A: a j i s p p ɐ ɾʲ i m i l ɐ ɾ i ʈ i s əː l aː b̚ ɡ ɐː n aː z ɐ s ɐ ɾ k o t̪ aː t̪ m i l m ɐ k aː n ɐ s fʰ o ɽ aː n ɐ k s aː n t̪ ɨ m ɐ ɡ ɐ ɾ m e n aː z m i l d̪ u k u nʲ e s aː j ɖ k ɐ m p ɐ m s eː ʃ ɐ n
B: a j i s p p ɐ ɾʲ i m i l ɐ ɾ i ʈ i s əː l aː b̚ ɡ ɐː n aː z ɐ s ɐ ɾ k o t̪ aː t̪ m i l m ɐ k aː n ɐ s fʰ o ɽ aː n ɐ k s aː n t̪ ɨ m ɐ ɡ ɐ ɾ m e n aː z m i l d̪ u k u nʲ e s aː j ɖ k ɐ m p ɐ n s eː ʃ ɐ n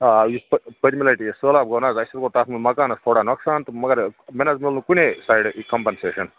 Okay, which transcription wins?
B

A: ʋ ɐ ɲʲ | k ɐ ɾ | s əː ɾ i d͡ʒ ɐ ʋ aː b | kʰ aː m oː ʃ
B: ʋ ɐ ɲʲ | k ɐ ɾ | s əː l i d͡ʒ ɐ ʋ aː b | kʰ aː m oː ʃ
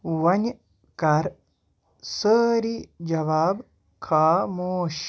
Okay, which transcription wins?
A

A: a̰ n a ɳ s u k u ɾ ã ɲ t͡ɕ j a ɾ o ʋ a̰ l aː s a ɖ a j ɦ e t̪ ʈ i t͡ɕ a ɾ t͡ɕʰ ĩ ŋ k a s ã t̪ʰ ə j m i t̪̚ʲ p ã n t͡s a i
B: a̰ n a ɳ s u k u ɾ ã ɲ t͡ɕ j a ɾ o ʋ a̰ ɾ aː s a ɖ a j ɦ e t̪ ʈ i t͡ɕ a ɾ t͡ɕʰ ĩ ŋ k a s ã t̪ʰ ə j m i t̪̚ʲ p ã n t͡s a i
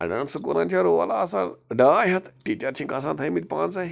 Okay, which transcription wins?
A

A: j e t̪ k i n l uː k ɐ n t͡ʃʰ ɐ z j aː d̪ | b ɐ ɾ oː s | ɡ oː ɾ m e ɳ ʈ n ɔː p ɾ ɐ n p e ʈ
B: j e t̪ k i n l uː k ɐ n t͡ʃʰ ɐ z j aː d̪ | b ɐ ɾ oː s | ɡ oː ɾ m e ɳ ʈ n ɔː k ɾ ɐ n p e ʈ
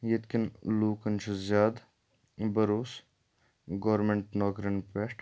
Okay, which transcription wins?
B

